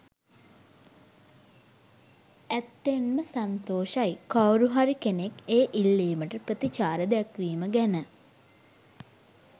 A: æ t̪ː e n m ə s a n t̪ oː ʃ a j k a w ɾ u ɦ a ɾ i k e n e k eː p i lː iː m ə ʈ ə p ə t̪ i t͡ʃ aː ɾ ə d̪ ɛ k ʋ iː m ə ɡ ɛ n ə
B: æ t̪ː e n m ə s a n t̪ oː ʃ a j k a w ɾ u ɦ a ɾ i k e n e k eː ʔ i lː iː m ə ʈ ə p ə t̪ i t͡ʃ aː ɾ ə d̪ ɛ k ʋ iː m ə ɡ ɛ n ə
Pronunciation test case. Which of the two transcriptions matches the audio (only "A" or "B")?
B